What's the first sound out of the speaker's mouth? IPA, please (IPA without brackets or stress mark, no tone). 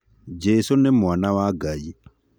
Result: d͡ʒ